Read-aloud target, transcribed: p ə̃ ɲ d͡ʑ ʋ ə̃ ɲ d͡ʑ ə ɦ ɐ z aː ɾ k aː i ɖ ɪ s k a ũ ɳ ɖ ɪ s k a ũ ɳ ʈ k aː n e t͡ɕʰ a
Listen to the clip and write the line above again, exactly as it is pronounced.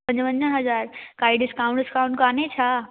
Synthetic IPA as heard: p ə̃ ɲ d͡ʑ ʋ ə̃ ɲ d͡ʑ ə ɦ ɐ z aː ɾ k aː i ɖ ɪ s k a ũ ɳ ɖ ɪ s k a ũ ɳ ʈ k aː n e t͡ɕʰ a

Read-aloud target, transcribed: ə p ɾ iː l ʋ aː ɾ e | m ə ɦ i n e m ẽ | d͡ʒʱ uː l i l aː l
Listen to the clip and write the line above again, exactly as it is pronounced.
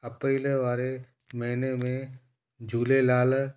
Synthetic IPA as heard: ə p ɾ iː l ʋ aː ɾ e | m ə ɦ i n e m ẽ | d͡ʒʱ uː l e l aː l

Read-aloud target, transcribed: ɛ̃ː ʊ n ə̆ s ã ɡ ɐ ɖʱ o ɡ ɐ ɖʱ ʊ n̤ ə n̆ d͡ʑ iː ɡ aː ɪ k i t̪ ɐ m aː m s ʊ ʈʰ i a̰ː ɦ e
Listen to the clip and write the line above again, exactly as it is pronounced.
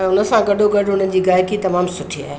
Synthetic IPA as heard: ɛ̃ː ʊ n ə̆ s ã ɡ ɐ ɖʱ o ɡ ɐ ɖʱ ʊ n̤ ə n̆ d͡ʑ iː ɡ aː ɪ k i t̪ ɐ m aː m s ʊ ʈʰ i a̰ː ɦ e

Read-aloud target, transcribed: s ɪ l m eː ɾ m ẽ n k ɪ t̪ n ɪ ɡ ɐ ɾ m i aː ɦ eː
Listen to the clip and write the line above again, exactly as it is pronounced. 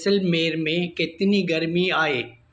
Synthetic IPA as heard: s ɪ l m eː ɾ m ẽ k ɪ t̪ n i ɡ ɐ ɾ m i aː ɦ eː

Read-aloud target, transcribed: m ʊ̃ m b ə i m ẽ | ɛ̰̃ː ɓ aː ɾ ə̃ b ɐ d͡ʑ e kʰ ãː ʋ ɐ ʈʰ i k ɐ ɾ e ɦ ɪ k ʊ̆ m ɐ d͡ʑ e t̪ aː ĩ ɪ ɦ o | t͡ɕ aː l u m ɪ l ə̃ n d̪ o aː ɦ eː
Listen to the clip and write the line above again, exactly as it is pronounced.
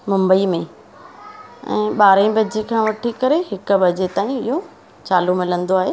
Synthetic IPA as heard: m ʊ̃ m b ə i m ẽ | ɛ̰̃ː ɓ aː ɾ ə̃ b ɐ d͡ʑ e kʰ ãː ʋ ɐ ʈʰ i k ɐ ɾ e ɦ ɪ k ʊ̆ b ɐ d͡ʑ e t̪ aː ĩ ɪ ɦ o | t͡ɕ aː l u m ɪ l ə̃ n d̪ o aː ɦ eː

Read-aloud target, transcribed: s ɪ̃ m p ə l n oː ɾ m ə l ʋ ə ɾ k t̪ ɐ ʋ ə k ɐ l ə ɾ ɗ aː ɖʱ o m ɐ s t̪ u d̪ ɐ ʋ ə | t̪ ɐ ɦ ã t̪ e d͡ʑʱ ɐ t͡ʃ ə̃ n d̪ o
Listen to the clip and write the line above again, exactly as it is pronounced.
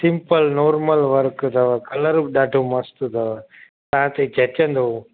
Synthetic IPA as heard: s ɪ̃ m p ə l n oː ɾ m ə l ʋ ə ɾ k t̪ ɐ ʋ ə k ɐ l ə ɾ ɗ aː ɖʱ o m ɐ s t̪ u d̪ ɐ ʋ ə | t̪ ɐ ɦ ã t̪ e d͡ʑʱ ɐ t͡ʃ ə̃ n d̪ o

